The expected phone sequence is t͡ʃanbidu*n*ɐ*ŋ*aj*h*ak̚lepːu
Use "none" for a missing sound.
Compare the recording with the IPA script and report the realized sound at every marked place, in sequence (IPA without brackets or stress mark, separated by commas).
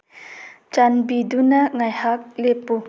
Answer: n, ŋ, h